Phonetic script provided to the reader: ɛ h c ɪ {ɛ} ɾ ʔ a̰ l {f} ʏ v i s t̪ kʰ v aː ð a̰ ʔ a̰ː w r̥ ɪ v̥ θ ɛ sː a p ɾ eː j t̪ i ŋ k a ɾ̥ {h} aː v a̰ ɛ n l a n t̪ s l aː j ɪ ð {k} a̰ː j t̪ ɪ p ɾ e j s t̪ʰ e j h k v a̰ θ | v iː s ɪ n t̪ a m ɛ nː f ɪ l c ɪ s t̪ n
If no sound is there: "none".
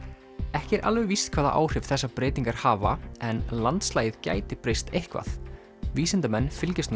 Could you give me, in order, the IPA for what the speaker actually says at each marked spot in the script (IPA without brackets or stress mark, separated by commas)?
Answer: ɛ, v, h, c